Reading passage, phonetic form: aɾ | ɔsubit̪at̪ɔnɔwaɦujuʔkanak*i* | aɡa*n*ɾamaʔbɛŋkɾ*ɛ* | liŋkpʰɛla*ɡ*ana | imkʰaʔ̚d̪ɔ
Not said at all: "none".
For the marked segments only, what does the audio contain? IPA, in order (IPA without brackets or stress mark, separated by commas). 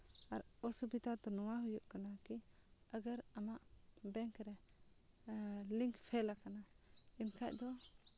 i, none, ɛ, k